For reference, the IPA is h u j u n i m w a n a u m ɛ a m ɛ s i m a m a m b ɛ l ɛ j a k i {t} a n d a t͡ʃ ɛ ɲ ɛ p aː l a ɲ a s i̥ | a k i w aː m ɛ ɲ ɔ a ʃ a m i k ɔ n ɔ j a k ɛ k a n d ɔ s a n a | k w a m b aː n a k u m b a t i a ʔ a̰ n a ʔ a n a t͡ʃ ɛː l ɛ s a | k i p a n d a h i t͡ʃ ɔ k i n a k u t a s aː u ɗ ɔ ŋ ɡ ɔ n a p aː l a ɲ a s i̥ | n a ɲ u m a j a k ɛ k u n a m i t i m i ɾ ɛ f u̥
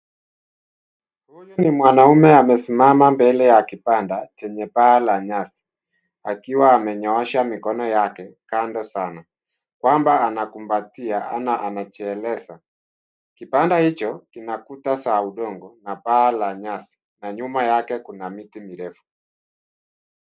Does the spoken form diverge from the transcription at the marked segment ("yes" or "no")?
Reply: yes